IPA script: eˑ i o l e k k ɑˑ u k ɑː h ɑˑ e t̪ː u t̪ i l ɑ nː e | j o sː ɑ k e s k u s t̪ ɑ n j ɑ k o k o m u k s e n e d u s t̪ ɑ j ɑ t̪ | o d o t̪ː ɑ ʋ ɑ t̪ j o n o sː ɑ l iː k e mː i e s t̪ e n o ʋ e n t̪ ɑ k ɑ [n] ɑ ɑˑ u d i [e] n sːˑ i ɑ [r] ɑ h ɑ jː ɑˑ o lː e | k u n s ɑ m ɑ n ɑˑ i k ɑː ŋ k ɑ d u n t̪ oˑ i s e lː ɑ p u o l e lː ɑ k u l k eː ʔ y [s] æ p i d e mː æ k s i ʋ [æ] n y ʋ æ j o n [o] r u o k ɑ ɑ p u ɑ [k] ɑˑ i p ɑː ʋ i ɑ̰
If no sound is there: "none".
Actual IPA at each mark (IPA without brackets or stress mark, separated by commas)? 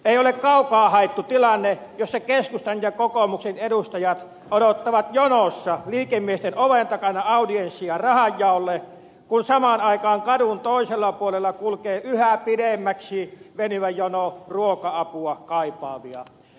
n, e, r, h, e, o, k